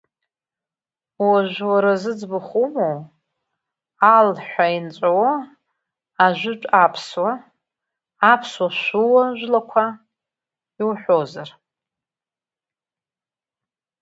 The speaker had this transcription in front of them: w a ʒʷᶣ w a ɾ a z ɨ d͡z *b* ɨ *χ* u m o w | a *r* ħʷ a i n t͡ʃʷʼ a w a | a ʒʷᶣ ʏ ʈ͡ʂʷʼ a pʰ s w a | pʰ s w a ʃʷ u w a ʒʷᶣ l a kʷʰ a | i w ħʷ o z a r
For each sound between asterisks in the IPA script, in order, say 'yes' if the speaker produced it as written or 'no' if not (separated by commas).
yes, yes, no